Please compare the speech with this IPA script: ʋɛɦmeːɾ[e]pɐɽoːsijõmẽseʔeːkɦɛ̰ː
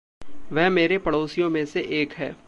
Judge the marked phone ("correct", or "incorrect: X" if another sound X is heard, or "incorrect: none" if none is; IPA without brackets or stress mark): correct